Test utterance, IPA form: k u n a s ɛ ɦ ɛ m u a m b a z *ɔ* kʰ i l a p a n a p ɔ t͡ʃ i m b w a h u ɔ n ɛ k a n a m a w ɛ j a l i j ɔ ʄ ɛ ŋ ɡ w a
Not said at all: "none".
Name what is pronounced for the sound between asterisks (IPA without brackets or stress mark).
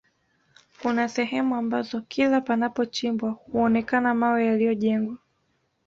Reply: ɔ